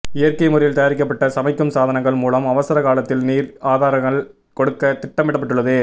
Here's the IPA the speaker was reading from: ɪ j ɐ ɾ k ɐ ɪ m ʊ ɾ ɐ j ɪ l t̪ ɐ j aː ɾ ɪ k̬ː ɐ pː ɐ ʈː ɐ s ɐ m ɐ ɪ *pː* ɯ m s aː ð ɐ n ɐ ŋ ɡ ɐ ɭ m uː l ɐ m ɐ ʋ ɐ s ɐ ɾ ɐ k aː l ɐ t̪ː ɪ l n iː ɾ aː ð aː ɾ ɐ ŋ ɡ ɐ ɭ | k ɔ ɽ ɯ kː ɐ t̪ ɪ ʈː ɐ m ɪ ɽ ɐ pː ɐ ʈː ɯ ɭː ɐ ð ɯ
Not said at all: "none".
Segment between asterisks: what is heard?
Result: kː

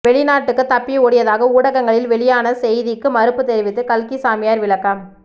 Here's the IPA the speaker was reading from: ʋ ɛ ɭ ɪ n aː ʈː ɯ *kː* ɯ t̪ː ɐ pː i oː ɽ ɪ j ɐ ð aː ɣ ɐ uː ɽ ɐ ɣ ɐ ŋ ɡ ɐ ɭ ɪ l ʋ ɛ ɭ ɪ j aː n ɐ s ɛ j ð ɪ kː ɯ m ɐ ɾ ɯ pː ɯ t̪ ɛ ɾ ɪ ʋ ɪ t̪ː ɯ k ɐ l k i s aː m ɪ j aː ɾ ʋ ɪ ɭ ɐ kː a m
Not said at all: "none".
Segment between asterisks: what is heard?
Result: kː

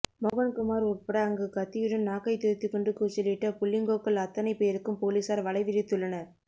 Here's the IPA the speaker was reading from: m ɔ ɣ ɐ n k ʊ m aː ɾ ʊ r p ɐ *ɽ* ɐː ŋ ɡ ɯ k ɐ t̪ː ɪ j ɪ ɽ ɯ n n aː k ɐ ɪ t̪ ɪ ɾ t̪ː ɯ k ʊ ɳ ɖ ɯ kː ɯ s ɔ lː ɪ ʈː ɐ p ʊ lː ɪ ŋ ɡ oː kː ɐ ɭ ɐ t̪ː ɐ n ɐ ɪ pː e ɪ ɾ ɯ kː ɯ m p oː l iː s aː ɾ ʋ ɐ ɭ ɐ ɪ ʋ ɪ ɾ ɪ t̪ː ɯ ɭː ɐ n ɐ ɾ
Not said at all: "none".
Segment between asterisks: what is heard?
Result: ɽ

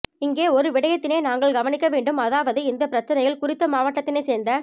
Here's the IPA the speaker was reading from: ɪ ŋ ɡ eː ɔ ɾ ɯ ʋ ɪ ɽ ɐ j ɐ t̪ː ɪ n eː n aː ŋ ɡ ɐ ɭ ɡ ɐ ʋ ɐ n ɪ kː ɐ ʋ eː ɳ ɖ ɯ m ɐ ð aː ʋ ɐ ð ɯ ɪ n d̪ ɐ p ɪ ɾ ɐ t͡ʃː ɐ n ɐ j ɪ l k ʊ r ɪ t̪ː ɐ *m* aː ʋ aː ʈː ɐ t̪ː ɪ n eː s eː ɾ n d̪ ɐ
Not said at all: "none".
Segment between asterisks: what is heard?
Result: m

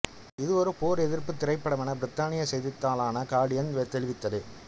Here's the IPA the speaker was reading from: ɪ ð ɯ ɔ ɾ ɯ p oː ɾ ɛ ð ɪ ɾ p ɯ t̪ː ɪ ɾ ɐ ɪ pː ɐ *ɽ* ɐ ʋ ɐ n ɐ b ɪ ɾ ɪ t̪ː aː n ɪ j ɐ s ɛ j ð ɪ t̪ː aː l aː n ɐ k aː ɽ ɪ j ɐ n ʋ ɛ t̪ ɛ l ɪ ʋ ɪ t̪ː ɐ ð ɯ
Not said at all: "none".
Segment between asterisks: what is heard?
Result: ɽ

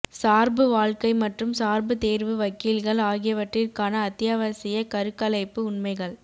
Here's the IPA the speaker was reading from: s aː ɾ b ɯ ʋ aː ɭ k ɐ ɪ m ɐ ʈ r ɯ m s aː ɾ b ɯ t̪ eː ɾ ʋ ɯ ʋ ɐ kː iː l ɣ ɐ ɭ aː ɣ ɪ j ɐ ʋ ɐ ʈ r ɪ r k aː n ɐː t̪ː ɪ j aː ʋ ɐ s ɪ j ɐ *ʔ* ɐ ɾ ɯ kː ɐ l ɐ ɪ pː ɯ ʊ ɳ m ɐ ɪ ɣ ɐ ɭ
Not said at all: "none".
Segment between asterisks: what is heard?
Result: k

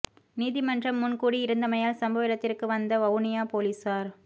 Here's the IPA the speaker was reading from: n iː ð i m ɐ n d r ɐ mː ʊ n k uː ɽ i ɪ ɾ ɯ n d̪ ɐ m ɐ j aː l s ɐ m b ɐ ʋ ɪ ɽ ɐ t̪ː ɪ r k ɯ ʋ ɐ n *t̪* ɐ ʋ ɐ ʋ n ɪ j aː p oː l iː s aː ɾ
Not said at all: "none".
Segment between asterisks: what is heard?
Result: d̪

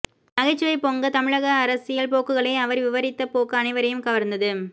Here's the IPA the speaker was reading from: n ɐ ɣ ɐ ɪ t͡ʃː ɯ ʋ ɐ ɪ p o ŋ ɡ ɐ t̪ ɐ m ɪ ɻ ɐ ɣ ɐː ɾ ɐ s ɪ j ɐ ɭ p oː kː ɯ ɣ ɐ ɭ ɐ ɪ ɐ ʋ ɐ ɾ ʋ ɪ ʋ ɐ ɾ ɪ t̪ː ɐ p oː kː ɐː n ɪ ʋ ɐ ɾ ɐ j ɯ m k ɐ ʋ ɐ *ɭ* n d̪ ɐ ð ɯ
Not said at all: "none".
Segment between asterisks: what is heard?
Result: ɾ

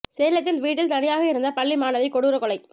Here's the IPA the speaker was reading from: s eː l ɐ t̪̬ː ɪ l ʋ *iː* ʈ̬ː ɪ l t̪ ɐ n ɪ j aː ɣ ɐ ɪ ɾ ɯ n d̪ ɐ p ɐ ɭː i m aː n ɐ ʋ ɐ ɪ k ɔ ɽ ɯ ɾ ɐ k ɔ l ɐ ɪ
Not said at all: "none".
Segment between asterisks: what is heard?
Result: iː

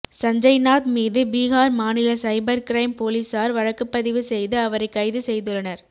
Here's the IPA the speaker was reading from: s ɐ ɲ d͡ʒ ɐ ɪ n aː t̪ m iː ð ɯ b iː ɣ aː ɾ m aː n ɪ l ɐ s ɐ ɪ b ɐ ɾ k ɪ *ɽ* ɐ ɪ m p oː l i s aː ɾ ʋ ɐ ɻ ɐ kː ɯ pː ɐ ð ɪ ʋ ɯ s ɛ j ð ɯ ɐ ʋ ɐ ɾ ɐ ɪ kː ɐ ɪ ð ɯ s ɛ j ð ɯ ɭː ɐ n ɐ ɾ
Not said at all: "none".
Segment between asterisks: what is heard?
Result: ɾ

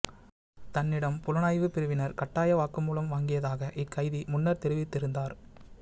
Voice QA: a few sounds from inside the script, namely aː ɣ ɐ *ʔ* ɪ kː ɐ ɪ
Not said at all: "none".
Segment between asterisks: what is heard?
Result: ʔ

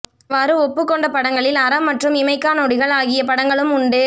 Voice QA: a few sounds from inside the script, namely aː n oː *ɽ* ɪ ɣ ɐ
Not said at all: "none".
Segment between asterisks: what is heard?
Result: ɽ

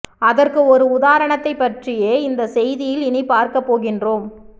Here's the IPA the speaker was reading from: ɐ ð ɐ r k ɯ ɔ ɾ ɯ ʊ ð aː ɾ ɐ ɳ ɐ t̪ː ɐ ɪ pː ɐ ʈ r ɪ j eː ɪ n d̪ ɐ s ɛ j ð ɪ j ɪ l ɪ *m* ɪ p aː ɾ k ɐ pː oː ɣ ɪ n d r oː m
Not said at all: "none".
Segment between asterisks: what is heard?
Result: n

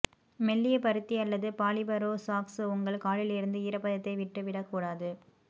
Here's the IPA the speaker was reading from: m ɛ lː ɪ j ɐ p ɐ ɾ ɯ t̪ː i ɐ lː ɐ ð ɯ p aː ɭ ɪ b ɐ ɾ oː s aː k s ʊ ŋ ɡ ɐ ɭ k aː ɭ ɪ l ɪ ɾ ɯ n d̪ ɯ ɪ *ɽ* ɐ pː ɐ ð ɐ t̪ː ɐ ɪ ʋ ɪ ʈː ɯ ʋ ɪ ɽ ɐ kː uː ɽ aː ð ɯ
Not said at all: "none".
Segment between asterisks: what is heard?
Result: ɾ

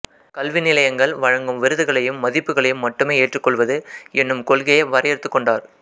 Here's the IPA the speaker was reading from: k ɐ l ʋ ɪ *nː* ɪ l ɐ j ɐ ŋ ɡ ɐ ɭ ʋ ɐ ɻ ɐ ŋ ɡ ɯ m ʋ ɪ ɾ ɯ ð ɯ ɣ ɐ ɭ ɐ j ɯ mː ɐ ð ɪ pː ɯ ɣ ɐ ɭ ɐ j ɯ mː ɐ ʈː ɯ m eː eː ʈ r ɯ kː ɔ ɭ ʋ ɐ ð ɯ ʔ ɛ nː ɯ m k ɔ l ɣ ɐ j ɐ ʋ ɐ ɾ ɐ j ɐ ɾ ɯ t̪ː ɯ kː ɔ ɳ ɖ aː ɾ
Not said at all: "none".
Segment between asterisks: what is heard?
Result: n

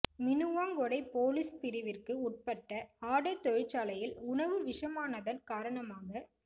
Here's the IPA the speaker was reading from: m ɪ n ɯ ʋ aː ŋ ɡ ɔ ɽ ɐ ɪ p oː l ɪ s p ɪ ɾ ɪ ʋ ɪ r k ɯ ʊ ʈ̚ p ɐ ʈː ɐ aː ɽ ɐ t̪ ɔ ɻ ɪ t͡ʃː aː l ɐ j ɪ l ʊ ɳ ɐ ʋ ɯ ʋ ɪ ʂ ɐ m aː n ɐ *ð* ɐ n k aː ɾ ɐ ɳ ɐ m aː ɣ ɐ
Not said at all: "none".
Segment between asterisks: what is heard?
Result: ð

